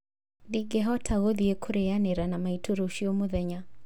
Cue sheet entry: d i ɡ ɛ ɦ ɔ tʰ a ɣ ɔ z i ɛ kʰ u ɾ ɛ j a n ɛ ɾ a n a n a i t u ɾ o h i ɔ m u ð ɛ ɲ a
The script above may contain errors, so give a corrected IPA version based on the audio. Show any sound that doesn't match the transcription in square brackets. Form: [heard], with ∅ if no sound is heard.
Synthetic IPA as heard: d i ɡ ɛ ɦ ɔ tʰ a ɣ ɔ [ð] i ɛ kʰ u ɾ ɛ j a n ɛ ɾ a n a [m] a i t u ɾ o [ʃ] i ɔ m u ð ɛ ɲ a